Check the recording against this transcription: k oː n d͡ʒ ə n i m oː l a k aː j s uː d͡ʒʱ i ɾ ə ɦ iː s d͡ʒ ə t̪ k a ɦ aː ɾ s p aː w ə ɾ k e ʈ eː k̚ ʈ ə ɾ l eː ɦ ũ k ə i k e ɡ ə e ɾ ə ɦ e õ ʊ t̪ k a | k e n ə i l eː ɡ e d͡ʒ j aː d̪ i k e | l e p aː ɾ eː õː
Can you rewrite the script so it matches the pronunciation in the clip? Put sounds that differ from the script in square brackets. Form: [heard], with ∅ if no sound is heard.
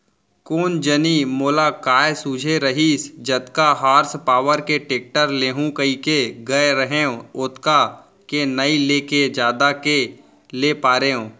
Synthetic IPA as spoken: k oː n d͡ʒ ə n i m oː l a k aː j s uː d͡ʒʱ [e] ɾ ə ɦ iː s d͡ʒ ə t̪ k a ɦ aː ɾ s p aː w ə ɾ k e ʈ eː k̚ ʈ ə ɾ l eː ɦ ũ k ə i k e ɡ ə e ɾ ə ɦ e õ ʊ t̪ k a | k e n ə i l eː [k] e d͡ʒ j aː d̪ [a] k e | l e p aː ɾ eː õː